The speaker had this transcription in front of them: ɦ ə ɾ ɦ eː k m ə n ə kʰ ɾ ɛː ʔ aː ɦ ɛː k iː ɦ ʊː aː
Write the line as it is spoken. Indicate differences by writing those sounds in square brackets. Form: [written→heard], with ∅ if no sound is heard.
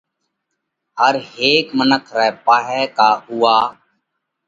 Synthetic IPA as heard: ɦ ə ɾ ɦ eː k m ə n ə kʰ ɾ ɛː [ʔ→p] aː ɦ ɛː k [iː→aː] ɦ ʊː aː